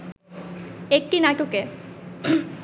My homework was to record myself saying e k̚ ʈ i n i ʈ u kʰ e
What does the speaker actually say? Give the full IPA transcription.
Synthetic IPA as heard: e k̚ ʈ i n a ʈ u k e